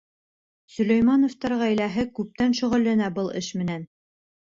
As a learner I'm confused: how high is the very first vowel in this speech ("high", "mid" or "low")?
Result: mid